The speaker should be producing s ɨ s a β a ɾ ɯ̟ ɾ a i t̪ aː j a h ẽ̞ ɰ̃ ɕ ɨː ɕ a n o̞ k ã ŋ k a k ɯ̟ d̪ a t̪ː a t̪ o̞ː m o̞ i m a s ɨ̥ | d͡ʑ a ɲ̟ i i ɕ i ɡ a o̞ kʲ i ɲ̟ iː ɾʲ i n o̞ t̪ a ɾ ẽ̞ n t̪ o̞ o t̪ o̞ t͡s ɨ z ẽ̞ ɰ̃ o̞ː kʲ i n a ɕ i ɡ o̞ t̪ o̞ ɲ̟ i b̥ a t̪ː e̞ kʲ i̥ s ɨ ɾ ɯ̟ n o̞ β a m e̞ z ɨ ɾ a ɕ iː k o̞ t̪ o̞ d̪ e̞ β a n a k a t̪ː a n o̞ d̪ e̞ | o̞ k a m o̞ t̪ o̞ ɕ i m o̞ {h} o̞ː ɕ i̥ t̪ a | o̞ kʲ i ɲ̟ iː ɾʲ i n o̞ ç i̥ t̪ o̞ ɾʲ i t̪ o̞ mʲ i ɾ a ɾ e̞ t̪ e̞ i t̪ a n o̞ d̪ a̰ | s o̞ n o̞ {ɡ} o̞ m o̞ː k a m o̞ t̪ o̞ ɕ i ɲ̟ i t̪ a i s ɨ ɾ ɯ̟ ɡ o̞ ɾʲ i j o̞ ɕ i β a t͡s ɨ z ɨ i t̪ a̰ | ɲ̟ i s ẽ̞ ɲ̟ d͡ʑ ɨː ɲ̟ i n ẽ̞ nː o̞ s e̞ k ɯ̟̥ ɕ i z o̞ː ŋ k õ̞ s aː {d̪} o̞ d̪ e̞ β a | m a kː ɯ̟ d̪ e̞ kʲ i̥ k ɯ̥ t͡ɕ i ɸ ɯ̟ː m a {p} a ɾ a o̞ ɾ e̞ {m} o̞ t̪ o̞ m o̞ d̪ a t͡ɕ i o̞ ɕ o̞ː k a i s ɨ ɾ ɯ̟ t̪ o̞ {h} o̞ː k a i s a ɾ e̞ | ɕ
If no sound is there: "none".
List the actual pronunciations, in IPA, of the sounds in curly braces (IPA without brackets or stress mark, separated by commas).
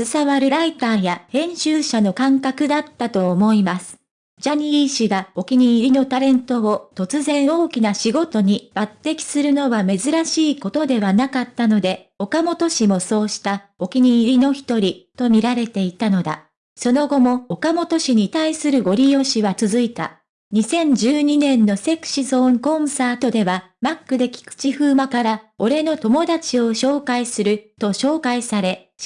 s, ɡ, t̪, k, n, ɕ